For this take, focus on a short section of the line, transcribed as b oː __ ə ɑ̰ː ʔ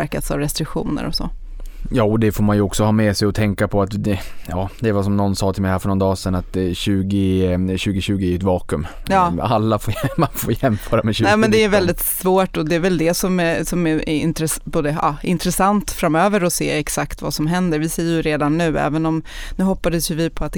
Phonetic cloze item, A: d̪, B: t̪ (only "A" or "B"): A